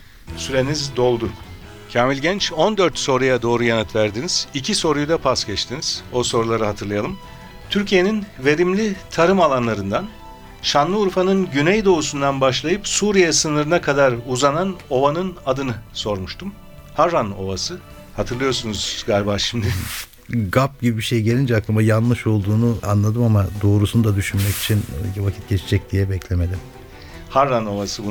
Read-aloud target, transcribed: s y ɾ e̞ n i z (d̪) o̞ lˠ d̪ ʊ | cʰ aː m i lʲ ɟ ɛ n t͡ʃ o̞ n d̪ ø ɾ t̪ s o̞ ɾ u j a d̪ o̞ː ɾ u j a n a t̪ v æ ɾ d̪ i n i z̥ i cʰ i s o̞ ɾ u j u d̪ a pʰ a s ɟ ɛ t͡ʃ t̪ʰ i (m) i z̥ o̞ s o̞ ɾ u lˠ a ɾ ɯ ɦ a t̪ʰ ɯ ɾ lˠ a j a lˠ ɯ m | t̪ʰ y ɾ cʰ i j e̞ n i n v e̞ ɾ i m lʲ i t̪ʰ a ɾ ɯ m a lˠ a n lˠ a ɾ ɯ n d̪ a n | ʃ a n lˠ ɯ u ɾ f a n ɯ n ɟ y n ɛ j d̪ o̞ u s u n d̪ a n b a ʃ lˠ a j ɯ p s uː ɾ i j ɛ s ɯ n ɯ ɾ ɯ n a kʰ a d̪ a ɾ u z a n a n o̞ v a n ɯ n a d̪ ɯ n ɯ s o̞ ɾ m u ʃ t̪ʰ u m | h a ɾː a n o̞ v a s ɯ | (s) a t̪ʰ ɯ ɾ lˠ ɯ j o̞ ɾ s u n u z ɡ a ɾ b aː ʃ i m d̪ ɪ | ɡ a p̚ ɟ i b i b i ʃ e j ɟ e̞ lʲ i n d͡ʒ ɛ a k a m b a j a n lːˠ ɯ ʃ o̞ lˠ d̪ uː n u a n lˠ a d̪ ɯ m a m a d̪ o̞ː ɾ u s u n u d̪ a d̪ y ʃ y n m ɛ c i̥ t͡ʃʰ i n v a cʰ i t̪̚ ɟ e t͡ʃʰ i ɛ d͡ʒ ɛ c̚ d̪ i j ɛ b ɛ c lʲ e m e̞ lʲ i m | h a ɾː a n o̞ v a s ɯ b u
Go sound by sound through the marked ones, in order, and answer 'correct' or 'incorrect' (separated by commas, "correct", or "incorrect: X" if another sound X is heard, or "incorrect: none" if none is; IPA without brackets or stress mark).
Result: correct, incorrect: n, incorrect: h